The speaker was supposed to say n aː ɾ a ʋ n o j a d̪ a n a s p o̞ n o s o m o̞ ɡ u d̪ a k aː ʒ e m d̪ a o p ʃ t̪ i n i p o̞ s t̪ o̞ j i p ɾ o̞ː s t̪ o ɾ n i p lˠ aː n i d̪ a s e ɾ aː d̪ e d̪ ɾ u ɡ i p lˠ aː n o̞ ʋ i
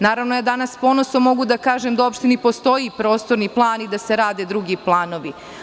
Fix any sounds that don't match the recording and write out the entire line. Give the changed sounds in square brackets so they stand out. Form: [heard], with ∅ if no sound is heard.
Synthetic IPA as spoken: n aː ɾ a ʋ n o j a d̪ a n a s p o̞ n o s o m o̞ ɡ u d̪ a k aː ʒ e m d̪ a o p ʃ t̪ i n i p o̞ s t̪ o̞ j i p ɾ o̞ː s t̪ o ɾ n i p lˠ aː n i d̪ a s e ɾ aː d̪ e d̪ ɾ u ɡ i p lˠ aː n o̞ ʋ i